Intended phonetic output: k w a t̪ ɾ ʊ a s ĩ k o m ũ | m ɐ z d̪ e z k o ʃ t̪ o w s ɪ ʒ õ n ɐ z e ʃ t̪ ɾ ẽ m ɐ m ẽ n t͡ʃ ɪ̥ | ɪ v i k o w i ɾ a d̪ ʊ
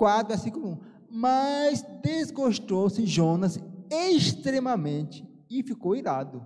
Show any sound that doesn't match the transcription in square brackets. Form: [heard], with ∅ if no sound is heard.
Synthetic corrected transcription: k w a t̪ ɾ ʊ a s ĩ k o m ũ | m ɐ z d̪ e z [ɡ] o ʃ t̪ o w s ɪ ʒ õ n ɐ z e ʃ t̪ ɾ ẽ m ɐ m ẽ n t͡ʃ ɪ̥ | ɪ [f] i k o w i ɾ a d̪ ʊ